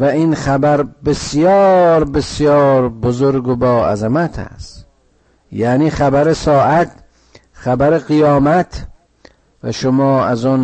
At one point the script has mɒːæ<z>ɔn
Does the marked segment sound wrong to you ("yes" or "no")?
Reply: no